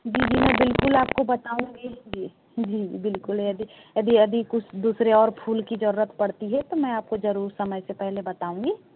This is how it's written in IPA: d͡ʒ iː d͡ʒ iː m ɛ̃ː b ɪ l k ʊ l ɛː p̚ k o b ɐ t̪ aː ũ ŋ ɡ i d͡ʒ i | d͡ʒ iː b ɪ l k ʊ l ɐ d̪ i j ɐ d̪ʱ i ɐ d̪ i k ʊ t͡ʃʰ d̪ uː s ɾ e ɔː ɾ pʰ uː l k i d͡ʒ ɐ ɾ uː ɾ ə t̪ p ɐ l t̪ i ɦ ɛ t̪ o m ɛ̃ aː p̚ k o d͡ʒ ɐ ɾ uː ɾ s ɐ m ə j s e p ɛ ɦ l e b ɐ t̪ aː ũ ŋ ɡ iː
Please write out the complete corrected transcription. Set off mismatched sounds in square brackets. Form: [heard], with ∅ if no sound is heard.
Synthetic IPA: d͡ʒ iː d͡ʒ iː m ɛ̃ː b ɪ l k ʊ l [aː] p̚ k o b ɐ t̪ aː ũ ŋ ɡ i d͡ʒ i | d͡ʒ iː b ɪ l k ʊ l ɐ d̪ i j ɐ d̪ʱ i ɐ d̪ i k ʊ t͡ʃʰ d̪ uː s ɾ e ɔː ɾ pʰ uː l k i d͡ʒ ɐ ɾ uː ɾ ə t̪ p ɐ [ɽ] t̪ i ɦ ɛ t̪ o m ɛ̃ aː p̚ k o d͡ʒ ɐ ɾ uː ɾ s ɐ m ə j s e p ɛ ɦ l e b ɐ t̪ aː ũ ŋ ɡ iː